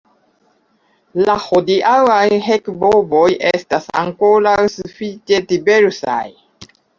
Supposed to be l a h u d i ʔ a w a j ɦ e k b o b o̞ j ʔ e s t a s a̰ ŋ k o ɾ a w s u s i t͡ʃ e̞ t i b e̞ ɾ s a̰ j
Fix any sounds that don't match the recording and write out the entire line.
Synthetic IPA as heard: l a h o d i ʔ a w a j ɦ e k b o b o̞ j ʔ e s t a s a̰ ŋ k o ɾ a w s u f i t͡ʃ e̞ t i b e̞ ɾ s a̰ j